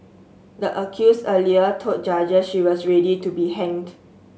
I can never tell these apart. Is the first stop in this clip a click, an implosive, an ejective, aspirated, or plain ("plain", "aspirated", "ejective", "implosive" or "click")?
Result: plain